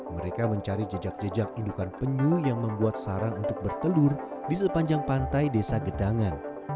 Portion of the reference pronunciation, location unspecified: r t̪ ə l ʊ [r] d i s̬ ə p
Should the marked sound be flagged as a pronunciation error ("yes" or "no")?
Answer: no